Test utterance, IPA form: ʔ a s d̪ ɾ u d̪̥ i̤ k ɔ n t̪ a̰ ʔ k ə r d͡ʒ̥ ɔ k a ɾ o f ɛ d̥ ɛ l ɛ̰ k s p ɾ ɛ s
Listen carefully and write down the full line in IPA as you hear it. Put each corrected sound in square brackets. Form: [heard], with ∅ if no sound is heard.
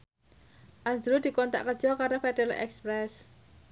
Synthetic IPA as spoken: ʔ a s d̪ ɾ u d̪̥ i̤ k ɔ n t̪ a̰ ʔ k ə r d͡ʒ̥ ɔ k a ɾ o f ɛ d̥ ɛ l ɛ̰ k s p ɾ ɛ s